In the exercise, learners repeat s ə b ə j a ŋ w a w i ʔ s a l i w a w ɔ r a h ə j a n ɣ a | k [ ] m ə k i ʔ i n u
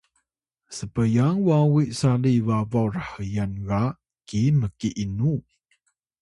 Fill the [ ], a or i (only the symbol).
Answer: i